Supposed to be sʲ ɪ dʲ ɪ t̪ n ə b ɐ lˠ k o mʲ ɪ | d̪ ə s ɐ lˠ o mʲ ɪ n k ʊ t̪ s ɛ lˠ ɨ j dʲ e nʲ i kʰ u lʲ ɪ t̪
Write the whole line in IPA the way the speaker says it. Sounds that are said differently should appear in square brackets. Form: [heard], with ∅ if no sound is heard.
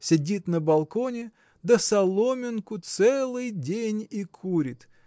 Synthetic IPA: sʲ ɪ dʲ [i] t̪ n ə b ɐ lˠ k o [nʲ] ɪ | d̪ ə s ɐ lˠ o mʲ ɪ n k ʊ t̪ s ɛ lˠ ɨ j dʲ e nʲ i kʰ u [ɾʲ] ɪ t̪